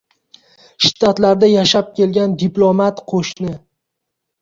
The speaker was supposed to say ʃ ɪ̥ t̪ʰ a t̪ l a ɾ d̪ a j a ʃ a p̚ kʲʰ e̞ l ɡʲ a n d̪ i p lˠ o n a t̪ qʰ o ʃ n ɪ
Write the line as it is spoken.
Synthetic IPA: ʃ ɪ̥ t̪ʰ a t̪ l a ɾ d̪ a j a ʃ a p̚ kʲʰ e̞ l ɡʲ a n d̪ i p lˠ o m a t̪ qʰ o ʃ n ɪ

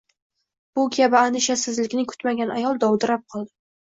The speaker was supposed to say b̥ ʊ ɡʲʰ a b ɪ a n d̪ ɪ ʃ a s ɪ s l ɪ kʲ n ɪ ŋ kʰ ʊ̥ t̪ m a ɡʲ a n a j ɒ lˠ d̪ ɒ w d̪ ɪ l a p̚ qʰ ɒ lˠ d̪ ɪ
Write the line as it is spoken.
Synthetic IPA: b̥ ʊ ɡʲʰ a b ɪ a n d̪ ɪ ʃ a s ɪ z l ɪ kʲ n ɪ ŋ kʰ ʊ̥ t̪ m a ɡʲ a n a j ɒ lˠ d̪ ɒ w d̪ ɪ ɾ a p̚ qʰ ɒ lˠ d̪ ɪ

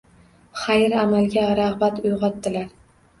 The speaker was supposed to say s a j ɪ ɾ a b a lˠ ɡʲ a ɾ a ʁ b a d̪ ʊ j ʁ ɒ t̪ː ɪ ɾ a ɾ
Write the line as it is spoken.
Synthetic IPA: χ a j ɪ ɾ a m a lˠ ɡʲ a ɾ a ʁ b a t̪ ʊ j ʁ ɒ t̪ː ɪ l a ɾ

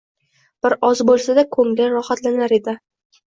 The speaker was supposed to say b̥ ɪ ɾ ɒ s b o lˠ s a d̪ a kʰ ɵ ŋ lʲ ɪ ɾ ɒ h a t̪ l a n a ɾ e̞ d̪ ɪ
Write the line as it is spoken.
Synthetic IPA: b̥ ɪ ɾ ɒ z b o lˠ s a d̪ a kʰ ɵ ŋ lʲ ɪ ɾ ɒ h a t̪ l a n a ɾ e̞ d̪ ɪ

